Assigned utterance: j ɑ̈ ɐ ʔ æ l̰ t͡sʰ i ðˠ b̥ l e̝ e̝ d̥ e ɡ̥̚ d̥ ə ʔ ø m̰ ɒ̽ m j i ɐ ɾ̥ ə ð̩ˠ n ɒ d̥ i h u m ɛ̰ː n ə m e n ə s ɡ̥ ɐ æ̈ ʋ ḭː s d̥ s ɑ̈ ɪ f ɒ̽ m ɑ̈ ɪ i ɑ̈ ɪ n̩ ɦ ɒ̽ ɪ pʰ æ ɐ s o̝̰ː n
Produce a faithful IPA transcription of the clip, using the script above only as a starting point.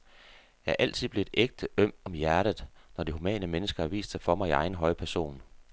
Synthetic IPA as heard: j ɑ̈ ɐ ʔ æ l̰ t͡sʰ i ðˠ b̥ l e̝ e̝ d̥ e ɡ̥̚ d̥ ə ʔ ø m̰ ɒ̽ m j æ ɐ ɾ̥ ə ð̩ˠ n ɒ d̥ i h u m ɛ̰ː n ə m e n ə s ɡ̥ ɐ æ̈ ʋ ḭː s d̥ s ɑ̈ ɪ f ɒ̽ m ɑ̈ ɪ i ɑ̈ ɪ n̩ ɦ ɒ̽ ɪ pʰ æ ɐ s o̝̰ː n